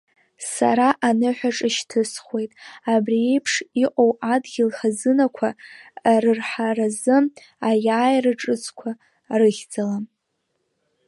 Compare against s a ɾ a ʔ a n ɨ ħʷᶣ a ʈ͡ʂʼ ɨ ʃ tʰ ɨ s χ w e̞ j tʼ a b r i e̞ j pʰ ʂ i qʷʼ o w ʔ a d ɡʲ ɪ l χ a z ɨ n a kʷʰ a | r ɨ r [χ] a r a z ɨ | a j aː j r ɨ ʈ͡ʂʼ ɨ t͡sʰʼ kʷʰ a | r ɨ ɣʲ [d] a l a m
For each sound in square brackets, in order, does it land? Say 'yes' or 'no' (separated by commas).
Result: no, no